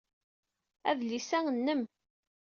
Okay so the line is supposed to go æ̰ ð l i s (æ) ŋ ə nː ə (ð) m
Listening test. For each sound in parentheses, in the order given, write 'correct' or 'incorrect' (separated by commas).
correct, incorrect